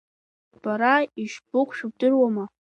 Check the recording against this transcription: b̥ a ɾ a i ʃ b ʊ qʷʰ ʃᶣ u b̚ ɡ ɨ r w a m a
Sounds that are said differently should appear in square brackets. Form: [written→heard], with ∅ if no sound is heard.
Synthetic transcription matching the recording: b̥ a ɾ a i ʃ b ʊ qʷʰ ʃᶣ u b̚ [ɡ→d] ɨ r w a m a

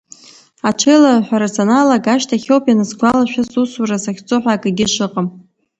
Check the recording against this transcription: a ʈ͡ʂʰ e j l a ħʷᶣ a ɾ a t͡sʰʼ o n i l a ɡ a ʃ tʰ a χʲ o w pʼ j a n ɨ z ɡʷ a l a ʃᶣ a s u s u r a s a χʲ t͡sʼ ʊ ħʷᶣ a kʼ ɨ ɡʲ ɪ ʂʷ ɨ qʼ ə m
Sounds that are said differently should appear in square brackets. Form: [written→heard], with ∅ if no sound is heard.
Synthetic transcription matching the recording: a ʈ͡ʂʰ e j l a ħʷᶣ a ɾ a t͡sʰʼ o n [i→a] l a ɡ a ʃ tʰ a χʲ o w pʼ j a n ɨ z ɡʷ a l a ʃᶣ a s u s u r a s a χʲ t͡sʼ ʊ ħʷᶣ a kʼ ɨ ɡʲ ɪ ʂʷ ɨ qʼ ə m

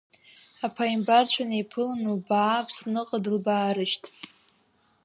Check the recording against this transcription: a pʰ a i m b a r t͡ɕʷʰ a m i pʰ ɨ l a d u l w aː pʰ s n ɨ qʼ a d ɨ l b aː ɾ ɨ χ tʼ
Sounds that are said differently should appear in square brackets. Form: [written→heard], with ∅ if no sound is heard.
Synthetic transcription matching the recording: a pʰ a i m b a r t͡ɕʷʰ a [m→n] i pʰ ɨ l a [d→n] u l [w→b] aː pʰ s n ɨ qʼ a d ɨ l b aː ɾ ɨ [χ→ʃ] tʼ

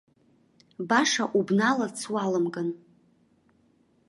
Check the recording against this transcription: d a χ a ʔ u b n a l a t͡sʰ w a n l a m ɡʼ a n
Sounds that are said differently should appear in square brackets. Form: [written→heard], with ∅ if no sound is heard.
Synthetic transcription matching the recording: [d→b] a [χ→ʂ] a ʔ u b n a l a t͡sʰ w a [n→∅] l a m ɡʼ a n

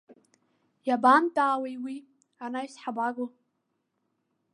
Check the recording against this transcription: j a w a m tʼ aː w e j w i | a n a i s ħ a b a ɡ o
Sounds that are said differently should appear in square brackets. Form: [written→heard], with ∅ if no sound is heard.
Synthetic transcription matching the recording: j a [w→b] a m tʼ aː w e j w i | a n a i s ħ a b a ɡ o

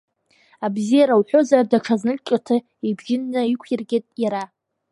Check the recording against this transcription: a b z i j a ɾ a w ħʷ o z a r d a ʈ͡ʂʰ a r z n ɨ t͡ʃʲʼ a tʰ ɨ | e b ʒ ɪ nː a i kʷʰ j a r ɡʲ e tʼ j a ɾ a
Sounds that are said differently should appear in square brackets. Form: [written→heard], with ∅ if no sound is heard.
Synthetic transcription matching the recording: a b z i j a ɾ a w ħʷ o z a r d a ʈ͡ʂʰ a [r→∅] z n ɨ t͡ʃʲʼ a tʰ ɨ | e b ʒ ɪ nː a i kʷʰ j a r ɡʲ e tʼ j a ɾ a

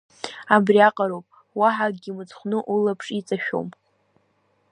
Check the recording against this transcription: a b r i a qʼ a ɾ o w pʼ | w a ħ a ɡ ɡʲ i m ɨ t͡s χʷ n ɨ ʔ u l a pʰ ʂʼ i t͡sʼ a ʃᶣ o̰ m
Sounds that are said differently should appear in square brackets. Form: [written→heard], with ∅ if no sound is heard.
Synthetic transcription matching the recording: a b r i a qʼ a ɾ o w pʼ | w a ħ a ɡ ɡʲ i m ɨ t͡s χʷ n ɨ ʔ u l a pʰ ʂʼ i t͡sʼ a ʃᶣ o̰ m

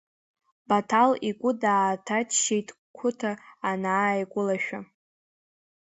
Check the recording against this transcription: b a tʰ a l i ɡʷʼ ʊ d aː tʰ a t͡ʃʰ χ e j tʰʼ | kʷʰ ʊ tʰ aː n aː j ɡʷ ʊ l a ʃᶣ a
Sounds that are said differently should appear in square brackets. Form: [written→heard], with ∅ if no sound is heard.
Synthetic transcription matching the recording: b a tʰ a l i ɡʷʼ ʊ d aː tʰ a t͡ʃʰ [χ→ʃ] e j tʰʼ | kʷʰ ʊ tʰ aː n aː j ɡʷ ʊ l a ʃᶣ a

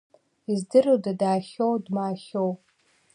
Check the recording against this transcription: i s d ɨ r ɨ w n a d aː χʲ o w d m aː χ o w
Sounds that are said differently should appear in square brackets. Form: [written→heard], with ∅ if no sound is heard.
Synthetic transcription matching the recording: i [s→z] d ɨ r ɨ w [n→d] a d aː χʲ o w d m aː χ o w

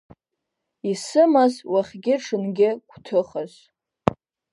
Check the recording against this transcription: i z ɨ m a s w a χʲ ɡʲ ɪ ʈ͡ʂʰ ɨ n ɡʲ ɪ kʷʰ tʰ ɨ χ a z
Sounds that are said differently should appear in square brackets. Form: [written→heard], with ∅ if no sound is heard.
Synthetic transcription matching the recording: i [z→s] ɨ m a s w a χʲ ɡʲ ɪ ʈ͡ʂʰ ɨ n ɡʲ ɪ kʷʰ tʰ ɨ χ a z

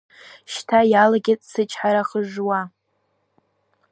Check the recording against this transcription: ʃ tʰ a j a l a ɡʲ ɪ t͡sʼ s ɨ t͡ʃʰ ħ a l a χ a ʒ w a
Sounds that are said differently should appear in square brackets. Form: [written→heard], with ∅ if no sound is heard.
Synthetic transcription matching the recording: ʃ tʰ a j a l a ɡʲ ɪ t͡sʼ s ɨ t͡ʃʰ ħ a [l→ɾ] a χ [a→ə] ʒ w a

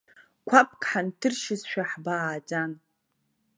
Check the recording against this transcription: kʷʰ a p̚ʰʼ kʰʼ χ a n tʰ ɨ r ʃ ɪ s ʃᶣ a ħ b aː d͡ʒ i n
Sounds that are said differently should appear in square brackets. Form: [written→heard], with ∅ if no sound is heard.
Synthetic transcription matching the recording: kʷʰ a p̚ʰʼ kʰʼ [χ→ħ] a n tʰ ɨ r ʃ ɪ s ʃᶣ a ħ b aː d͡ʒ [i→a] n

